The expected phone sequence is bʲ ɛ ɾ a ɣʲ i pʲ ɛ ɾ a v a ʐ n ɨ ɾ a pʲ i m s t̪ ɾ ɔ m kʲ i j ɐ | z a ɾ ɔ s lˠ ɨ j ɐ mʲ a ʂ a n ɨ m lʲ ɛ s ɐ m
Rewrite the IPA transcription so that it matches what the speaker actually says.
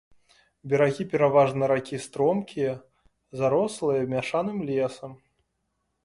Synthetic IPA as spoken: bʲ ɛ ɾ a ɣʲ i pʲ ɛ ɾ a v a ʐ n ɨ ɾ a kʲ i s t̪ ɾ ɔ m kʲ i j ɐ | z a ɾ ɔ s lˠ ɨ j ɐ mʲ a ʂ a n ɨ m lʲ ɛ s ɐ m